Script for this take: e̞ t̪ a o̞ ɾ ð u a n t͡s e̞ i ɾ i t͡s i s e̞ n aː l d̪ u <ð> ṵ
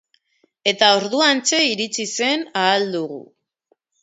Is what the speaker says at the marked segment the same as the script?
no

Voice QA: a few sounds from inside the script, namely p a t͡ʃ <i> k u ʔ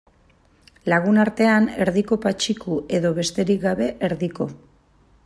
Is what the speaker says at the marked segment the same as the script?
yes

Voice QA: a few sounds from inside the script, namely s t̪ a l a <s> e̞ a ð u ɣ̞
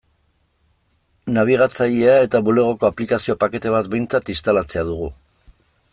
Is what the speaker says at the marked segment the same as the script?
no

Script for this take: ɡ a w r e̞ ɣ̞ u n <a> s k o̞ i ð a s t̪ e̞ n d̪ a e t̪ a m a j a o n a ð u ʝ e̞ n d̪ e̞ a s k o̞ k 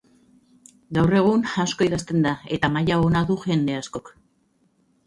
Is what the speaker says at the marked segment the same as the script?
yes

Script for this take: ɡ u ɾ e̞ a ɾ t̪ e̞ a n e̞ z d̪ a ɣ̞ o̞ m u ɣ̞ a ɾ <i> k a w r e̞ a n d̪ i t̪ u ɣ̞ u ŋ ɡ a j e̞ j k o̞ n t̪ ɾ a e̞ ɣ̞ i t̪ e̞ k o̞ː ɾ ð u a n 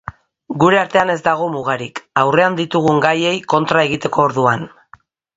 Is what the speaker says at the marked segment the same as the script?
yes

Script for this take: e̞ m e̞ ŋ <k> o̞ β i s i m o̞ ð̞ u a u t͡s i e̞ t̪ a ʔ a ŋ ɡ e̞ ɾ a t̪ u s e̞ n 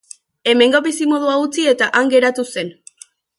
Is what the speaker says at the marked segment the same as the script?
no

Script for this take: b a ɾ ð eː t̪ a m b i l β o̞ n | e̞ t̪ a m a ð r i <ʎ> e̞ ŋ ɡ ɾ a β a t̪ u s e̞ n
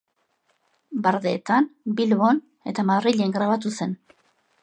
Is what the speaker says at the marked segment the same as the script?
yes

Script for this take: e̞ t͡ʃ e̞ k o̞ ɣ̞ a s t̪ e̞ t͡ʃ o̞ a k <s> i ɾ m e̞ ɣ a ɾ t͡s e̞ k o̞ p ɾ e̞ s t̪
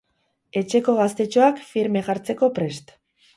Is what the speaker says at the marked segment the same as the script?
no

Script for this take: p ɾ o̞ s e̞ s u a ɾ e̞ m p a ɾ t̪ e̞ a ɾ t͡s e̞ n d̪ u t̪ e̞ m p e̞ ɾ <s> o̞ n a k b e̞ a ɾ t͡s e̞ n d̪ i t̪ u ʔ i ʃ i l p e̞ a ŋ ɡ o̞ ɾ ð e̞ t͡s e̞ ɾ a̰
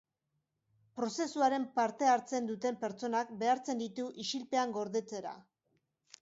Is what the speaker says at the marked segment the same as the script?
no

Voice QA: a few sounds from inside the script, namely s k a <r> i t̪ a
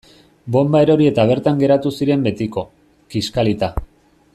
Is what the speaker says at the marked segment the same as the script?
no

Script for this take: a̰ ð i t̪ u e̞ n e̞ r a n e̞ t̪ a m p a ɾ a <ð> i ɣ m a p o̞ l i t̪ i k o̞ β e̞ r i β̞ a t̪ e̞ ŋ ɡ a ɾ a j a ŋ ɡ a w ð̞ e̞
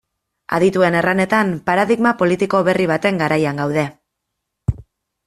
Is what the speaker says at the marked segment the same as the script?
yes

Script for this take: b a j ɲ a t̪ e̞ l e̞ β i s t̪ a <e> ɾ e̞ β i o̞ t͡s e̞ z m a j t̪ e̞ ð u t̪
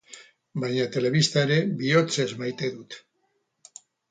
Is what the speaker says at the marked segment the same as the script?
yes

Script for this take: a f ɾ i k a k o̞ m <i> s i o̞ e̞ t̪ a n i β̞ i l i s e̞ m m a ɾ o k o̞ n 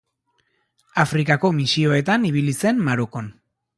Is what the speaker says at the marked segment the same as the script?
yes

